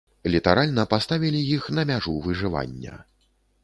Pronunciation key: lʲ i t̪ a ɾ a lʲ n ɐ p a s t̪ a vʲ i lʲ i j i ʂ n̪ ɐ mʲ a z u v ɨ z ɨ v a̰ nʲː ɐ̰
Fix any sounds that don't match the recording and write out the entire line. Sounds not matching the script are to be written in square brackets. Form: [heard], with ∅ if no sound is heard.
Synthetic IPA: lʲ i t̪ a ɾ a lʲ n ɐ p a s t̪ a vʲ i lʲ i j i [x] n̪ ɐ mʲ a [ʐ] u v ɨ [ʐ] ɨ v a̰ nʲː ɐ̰